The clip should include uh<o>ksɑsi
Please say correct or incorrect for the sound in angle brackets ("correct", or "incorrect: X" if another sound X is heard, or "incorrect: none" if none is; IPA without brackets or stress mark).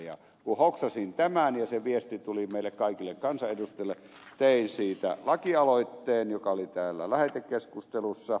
correct